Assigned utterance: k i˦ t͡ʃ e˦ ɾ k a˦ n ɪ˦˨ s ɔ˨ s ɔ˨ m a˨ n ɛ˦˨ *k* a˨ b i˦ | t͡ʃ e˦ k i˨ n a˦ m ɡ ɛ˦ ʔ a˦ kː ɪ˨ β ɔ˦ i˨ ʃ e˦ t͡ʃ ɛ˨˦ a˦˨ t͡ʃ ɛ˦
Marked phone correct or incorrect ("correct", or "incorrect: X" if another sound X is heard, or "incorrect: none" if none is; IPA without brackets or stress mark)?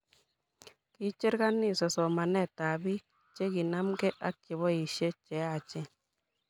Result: incorrect: t